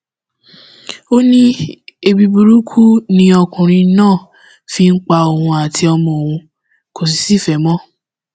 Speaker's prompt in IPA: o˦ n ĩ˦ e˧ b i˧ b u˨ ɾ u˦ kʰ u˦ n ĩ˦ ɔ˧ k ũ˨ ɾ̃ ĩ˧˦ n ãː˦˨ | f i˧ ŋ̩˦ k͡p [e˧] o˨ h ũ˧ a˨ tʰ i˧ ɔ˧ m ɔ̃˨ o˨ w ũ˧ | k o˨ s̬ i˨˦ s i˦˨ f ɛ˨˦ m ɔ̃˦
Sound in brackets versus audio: incorrect: a˧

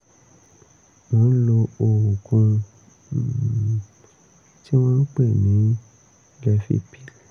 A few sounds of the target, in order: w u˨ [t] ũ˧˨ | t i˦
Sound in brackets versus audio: incorrect: k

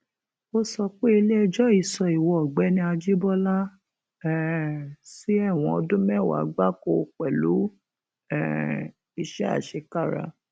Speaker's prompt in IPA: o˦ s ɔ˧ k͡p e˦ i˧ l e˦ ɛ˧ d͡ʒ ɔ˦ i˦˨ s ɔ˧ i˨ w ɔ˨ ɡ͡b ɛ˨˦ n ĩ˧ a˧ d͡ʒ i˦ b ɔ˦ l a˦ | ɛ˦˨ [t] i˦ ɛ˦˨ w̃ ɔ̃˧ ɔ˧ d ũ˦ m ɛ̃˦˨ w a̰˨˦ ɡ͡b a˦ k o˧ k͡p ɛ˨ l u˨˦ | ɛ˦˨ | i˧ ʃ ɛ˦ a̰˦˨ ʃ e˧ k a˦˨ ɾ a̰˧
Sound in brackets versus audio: incorrect: s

